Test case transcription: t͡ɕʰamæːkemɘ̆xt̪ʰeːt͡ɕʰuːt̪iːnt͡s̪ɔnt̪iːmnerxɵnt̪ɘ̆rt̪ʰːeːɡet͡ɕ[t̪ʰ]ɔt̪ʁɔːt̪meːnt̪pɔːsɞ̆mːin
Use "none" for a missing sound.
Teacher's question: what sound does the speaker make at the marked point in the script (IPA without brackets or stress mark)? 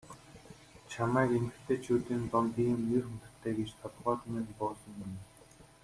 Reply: t̪ʰ